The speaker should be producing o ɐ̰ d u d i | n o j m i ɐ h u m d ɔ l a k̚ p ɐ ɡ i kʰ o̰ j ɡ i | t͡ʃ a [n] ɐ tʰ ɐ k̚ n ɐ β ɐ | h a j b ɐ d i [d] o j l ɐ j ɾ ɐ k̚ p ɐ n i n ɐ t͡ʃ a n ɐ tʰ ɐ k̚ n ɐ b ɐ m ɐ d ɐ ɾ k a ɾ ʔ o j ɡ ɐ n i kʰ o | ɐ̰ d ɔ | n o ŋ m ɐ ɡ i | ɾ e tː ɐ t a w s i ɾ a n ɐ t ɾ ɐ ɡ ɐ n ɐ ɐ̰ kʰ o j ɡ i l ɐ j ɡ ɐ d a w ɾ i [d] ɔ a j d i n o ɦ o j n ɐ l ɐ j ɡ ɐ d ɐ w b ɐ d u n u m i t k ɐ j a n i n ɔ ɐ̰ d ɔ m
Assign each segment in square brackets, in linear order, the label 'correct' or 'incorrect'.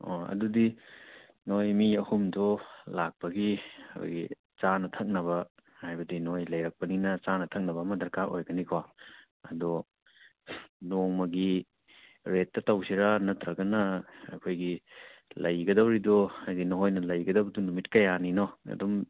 correct, incorrect: n, correct

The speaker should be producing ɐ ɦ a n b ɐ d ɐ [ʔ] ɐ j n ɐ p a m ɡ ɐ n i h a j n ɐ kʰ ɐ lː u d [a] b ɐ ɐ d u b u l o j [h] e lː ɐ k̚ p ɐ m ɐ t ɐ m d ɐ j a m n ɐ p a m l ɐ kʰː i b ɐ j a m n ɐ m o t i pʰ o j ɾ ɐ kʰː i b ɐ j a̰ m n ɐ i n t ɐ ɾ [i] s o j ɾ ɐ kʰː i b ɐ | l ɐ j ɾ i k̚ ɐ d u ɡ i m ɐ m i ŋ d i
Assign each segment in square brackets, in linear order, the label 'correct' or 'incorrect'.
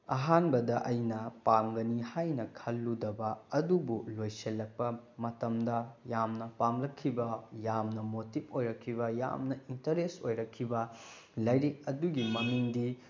correct, incorrect: ɐ, incorrect: s, incorrect: e

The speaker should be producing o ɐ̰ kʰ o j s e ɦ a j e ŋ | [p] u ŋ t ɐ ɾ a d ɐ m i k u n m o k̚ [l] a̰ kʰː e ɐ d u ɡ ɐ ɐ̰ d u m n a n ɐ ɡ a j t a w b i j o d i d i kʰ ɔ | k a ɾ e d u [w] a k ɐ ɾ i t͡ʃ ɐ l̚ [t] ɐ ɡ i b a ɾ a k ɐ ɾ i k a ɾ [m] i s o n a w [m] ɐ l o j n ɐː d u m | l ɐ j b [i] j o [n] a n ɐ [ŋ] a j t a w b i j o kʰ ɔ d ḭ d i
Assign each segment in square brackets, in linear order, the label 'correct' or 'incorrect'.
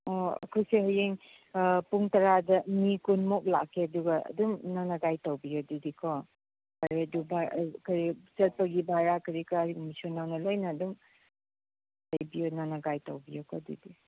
correct, correct, incorrect: b, incorrect: p, correct, incorrect: n, correct, correct, incorrect: ɡ

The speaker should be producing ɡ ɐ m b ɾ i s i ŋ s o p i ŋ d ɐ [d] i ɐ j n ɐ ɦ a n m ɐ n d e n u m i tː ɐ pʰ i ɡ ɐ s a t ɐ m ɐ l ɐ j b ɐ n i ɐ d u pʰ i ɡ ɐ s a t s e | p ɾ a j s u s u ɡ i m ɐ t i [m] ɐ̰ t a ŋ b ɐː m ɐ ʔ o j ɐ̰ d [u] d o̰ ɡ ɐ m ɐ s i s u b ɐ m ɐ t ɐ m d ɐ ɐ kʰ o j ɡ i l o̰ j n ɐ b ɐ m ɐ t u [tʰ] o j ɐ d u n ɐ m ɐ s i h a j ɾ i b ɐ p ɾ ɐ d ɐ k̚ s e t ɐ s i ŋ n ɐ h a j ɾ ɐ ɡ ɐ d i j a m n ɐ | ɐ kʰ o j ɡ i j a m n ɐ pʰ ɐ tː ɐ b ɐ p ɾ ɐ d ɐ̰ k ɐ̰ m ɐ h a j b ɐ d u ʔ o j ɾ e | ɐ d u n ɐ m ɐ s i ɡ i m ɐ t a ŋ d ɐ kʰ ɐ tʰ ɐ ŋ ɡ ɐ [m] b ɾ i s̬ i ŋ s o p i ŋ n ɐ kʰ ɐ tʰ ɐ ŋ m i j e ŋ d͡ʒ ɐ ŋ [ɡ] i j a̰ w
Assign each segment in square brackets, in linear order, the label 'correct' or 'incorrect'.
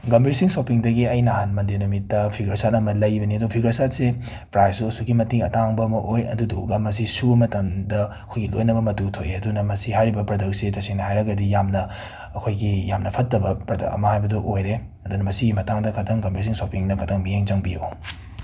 incorrect: ɡ, incorrect: ŋ, correct, correct, correct, incorrect: b

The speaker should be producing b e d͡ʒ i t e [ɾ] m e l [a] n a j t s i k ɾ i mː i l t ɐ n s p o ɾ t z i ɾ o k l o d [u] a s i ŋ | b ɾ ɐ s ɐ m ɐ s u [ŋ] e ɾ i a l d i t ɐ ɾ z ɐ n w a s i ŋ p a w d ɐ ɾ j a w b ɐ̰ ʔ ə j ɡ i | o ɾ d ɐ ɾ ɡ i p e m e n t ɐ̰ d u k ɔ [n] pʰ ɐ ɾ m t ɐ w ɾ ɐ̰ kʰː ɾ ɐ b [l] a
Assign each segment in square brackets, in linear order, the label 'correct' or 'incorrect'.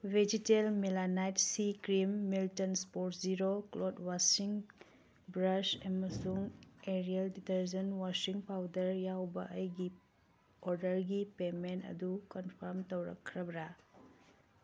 incorrect: l, correct, incorrect: w, correct, correct, incorrect: ɾ

